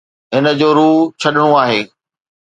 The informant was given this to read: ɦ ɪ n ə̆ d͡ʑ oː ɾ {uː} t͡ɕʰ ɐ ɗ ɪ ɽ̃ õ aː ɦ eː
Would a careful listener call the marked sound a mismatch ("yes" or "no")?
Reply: no